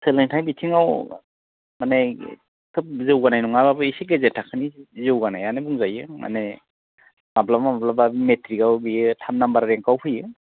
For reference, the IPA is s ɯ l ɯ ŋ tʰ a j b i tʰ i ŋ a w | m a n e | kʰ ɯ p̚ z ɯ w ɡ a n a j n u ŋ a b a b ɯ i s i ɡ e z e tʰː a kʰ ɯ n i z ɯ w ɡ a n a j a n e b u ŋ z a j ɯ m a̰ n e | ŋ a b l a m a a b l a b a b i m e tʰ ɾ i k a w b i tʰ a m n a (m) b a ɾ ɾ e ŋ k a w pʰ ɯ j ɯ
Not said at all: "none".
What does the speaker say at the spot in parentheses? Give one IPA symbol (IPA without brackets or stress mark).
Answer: m